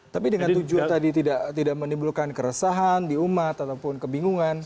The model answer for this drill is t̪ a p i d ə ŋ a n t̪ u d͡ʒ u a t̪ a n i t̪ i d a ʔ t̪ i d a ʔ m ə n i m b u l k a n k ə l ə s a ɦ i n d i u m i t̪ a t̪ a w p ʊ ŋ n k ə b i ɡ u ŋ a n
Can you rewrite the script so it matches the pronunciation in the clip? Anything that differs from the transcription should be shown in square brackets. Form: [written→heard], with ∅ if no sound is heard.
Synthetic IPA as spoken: t̪ a p i d ə ŋ a n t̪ u d͡ʒ u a t̪ a [n→d] i t̪ i d a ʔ t̪ i d a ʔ m ə n i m b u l k a n k ə [l→ɾ] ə s a ɦ [i→a] n d i u m [i→a] t̪ a t̪ a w p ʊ [ŋ→∅] n k ə b i [ɡ→ŋ] u ŋ a n